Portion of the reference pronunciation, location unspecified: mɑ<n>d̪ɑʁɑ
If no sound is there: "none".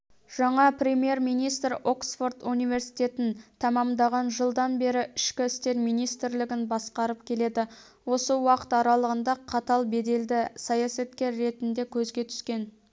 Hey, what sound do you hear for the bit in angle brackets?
m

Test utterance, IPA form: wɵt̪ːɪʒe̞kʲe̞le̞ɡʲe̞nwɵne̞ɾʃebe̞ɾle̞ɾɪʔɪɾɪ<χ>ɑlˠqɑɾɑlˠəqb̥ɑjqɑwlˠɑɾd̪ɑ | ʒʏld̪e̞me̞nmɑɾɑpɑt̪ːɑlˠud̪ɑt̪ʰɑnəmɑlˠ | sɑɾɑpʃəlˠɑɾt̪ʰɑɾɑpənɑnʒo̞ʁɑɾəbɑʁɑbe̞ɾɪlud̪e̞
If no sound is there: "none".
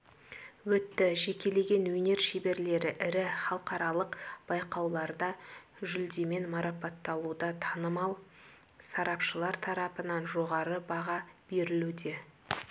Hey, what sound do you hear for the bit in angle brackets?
χ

